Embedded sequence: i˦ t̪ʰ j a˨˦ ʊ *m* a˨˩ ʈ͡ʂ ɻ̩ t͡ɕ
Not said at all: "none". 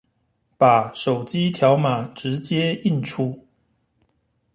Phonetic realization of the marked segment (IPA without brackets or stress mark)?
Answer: m